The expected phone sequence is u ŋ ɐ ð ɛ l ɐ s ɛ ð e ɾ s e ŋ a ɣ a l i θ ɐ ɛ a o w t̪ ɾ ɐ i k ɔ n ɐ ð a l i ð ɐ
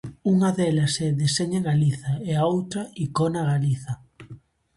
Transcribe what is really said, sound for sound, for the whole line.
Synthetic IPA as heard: u ŋ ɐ ð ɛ l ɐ s ɛ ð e s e ɲ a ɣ a l i θ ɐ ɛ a o w t̪ ɾ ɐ i k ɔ n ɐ ɣ a l i θ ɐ